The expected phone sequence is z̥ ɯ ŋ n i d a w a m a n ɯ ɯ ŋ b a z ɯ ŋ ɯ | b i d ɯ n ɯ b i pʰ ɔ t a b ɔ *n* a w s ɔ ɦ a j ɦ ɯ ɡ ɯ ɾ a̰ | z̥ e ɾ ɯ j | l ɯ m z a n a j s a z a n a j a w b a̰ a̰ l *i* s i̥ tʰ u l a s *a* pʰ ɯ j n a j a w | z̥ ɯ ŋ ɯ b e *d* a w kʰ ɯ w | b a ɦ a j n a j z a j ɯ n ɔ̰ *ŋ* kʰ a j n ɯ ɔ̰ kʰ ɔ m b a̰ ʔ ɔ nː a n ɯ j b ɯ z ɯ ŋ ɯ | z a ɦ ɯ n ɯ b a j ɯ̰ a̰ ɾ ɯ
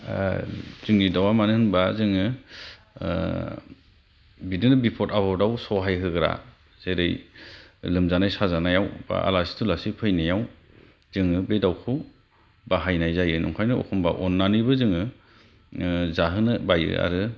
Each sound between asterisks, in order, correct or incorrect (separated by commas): incorrect, incorrect, incorrect, correct, correct